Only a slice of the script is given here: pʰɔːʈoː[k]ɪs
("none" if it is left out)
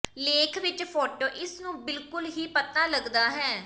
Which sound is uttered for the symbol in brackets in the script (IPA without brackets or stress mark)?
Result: ʔ